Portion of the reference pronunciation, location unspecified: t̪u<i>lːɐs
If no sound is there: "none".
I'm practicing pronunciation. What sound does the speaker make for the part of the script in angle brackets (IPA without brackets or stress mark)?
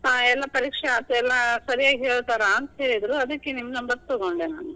ɛ